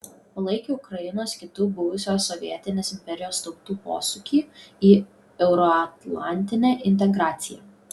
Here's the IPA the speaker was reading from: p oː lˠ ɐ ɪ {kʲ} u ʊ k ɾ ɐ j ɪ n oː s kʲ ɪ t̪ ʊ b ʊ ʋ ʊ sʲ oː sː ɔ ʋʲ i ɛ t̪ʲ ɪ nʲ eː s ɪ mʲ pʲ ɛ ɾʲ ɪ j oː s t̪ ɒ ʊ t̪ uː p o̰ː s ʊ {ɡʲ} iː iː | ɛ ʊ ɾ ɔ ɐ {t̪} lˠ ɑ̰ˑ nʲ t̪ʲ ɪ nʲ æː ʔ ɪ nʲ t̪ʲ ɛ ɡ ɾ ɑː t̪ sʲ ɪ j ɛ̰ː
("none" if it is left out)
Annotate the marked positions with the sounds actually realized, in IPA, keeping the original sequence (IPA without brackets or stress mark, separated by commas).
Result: kʲ, kʲ, t̪